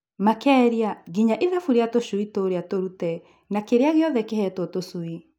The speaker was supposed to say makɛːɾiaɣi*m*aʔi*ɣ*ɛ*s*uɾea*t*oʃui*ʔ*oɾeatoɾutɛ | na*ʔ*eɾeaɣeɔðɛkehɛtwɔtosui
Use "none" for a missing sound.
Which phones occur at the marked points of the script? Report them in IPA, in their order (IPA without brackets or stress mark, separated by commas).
ɲ, ð, f, t, t, k